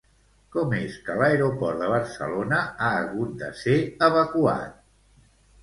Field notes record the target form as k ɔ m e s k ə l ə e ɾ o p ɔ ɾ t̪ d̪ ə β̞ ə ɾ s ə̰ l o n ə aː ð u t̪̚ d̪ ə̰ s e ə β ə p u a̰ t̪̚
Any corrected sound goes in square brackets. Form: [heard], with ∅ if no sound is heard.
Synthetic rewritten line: k ɔ m e s k ə l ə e ɾ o p ɔ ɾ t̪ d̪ ə β̞ ə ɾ s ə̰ l o n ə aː [ɣ] u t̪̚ d̪ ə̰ s e ə β ə [k] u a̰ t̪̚